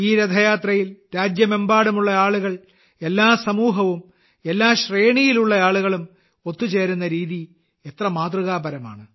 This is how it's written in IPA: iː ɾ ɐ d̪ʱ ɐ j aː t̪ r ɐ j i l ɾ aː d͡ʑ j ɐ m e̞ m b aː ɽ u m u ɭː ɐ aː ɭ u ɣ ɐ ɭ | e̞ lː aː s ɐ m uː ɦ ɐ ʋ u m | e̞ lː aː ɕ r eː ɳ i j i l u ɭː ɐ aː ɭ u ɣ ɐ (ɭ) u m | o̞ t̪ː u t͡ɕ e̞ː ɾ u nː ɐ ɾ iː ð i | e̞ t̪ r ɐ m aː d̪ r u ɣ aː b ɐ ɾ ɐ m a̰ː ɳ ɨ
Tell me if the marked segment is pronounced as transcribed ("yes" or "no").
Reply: yes